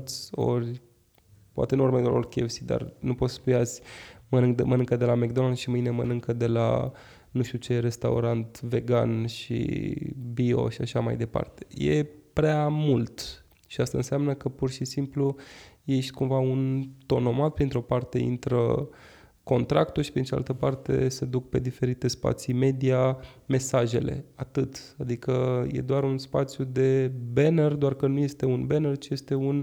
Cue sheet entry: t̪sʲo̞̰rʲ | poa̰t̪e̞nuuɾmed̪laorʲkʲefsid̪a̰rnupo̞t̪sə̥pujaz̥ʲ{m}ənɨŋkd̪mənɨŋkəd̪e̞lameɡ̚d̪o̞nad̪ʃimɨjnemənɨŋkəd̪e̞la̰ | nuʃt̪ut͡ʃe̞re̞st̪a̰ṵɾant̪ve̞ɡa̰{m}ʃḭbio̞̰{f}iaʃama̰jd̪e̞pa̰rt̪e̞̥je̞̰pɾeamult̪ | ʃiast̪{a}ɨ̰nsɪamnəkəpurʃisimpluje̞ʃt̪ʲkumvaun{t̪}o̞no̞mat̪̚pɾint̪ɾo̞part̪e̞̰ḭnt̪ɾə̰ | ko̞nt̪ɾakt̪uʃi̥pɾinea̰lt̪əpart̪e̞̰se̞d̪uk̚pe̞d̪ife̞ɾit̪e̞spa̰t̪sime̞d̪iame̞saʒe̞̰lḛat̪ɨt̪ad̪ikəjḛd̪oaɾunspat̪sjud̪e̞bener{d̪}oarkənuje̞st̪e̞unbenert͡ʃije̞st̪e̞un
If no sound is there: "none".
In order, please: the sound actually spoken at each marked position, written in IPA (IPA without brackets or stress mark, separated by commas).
m, n, ʃ, a, t̪, d̪